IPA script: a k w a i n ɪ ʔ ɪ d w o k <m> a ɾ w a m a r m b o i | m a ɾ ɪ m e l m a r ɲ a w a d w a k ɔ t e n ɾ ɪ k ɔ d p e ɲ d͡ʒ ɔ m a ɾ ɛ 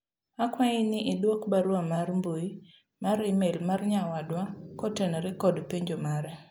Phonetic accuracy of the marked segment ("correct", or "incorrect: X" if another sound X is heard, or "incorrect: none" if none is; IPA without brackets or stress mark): incorrect: b